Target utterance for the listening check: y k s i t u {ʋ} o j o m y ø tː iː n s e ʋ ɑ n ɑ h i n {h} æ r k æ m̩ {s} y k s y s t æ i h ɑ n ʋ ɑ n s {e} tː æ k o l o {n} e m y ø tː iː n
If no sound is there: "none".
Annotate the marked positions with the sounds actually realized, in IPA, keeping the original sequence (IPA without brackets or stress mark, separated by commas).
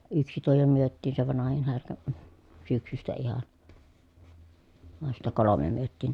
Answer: none, h, s, i, m